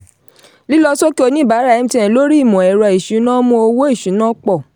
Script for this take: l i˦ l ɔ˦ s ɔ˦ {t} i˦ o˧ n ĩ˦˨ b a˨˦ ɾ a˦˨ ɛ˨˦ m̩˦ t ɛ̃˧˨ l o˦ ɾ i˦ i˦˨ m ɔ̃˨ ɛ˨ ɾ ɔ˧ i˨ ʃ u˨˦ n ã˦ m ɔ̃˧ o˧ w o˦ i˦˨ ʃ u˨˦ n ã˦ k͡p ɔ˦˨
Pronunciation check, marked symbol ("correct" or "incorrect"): incorrect